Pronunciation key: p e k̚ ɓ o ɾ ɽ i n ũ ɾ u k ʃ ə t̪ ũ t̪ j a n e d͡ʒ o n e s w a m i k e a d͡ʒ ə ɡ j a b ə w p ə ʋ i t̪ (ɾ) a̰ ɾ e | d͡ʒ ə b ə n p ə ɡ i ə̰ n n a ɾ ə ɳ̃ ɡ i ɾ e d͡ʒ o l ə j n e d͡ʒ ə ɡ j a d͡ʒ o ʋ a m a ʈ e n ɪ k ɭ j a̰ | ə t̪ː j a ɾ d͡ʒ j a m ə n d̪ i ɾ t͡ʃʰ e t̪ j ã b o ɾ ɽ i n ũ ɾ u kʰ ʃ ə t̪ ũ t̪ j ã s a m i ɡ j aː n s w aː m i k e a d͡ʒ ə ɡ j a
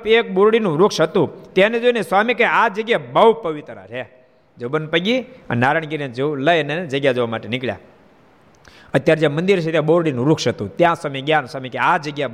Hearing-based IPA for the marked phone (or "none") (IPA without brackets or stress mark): ɾ